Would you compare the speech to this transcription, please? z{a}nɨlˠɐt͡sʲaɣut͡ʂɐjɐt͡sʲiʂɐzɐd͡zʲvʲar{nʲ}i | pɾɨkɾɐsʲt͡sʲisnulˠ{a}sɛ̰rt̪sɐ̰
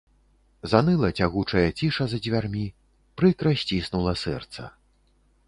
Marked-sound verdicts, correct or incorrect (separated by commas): correct, incorrect, incorrect